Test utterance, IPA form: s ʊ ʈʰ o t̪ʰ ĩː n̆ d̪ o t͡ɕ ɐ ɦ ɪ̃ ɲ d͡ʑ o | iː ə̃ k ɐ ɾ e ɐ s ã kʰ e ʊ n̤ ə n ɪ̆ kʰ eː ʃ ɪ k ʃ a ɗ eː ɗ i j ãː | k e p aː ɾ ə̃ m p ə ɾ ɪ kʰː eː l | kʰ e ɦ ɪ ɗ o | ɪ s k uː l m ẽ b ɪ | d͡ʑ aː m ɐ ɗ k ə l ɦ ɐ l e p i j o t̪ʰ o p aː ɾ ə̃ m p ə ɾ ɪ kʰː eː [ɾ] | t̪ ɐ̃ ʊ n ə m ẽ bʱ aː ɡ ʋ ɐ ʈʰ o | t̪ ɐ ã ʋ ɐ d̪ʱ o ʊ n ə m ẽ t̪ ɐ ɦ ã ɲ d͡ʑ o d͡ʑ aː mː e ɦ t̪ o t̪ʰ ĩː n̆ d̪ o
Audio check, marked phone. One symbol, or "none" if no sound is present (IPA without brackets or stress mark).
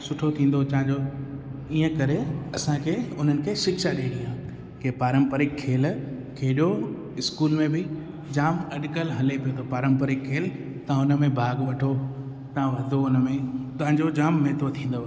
l